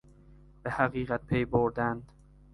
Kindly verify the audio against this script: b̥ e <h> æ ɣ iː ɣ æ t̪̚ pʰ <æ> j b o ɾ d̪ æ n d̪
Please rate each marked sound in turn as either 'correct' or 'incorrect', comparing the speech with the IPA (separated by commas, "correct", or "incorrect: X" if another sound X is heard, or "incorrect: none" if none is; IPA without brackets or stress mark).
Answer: correct, incorrect: e